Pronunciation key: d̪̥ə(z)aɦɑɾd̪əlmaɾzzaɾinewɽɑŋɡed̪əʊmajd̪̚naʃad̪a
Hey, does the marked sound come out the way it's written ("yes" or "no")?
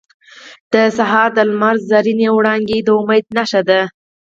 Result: no